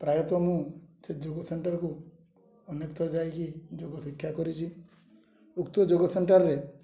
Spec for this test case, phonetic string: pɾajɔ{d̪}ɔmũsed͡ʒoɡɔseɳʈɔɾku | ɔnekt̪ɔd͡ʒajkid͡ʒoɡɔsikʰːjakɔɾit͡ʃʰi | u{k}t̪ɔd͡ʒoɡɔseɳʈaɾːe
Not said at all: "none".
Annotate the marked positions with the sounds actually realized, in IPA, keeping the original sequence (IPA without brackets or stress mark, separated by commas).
t̪, k